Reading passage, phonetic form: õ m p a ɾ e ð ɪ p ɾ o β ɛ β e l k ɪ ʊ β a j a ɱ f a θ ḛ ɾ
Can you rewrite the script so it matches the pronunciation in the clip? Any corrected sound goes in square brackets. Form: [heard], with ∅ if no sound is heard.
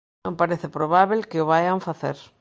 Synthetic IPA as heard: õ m p a ɾ e [θ] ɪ p ɾ o β [a] β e l k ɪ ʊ β a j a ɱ f a θ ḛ ɾ